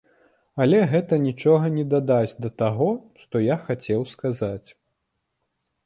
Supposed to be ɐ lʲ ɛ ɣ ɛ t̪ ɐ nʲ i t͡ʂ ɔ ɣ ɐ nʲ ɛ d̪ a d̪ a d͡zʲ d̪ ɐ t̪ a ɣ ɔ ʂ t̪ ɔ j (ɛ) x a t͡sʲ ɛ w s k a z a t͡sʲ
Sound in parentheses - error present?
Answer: yes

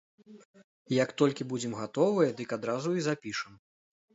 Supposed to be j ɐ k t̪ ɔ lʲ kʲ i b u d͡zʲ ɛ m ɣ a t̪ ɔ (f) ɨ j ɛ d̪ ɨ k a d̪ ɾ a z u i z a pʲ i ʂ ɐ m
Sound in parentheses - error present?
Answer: yes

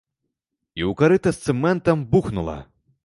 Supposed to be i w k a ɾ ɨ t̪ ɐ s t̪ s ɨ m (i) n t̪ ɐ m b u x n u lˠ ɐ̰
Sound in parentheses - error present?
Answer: yes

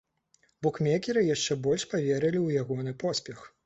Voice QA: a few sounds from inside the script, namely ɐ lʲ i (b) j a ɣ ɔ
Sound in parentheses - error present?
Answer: yes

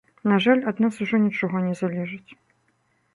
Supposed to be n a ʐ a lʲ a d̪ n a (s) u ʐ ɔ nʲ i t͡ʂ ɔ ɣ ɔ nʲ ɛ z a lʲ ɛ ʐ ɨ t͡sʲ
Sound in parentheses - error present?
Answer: no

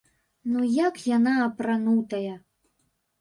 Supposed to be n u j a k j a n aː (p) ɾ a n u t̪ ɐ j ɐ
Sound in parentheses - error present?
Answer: no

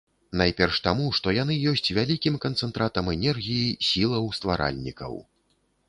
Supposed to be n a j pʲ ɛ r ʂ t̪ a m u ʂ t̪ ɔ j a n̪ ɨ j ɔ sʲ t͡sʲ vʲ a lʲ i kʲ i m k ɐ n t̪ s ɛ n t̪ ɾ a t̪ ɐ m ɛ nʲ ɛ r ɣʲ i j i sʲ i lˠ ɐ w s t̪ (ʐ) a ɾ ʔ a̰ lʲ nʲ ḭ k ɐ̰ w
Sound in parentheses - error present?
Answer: yes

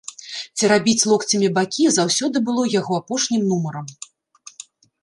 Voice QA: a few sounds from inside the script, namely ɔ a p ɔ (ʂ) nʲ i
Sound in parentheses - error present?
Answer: no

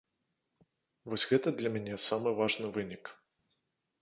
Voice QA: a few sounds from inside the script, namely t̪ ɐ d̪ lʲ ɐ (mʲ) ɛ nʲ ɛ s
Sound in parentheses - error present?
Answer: no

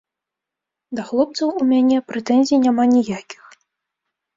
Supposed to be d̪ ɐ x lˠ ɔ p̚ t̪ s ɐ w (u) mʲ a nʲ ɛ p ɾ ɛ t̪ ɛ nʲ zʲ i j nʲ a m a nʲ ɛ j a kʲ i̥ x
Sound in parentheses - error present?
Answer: no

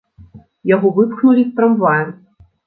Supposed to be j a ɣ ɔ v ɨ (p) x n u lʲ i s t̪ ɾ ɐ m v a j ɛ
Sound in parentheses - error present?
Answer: no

